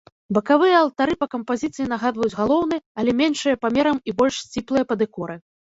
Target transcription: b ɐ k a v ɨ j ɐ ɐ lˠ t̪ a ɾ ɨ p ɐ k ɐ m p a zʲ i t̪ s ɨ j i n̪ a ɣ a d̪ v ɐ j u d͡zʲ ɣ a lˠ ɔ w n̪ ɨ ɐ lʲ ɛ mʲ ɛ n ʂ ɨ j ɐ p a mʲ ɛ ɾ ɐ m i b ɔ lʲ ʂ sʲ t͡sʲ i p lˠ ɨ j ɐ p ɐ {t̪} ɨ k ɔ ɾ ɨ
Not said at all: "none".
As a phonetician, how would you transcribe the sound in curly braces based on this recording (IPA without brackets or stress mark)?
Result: d̪